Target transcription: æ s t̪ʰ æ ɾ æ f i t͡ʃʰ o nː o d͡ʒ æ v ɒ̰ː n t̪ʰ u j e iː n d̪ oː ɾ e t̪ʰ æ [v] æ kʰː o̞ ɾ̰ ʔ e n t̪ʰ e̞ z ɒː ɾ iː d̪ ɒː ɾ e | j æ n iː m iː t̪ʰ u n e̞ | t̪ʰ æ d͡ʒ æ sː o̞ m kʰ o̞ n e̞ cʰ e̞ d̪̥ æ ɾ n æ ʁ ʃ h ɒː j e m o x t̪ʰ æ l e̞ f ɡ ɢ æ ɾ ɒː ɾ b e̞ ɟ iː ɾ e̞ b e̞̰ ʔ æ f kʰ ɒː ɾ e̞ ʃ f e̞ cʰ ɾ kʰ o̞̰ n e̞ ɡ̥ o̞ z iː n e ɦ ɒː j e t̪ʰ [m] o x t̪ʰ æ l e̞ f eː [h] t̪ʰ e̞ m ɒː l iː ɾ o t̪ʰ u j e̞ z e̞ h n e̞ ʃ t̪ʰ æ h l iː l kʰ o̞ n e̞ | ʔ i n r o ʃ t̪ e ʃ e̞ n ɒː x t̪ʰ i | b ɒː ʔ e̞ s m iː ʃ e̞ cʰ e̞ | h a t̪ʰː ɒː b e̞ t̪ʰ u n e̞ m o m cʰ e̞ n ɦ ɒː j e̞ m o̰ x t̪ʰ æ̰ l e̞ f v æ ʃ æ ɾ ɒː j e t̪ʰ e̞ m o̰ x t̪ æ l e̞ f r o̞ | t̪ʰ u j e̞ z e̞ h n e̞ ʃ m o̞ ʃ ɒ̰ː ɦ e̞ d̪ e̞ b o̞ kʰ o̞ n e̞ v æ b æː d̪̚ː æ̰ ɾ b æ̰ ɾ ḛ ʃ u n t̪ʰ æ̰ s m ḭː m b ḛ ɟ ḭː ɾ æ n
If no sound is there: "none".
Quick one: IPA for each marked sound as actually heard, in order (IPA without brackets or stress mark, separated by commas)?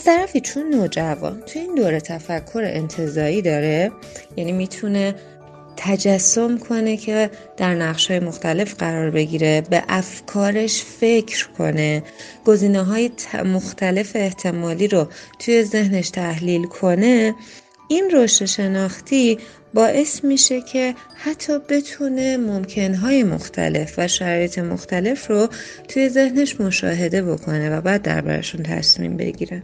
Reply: f, m, h